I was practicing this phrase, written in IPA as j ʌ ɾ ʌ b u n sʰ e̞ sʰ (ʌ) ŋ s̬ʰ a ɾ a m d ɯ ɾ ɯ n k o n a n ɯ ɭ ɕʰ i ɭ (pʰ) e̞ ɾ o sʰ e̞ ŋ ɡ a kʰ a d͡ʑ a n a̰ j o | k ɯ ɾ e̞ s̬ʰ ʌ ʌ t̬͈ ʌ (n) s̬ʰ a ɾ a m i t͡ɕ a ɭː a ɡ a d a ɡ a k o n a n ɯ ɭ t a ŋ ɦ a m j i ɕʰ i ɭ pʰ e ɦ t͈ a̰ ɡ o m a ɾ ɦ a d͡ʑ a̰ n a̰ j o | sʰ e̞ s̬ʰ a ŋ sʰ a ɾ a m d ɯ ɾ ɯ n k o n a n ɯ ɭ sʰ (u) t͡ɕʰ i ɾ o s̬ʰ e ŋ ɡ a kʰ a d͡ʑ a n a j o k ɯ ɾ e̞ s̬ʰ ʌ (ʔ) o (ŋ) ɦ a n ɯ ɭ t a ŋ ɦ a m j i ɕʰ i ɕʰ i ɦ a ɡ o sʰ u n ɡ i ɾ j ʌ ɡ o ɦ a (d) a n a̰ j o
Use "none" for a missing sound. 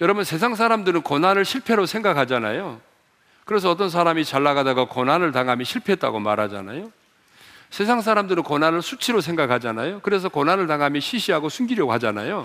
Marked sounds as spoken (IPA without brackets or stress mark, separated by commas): a, pʰ, n, u, k, n, d͡ʑ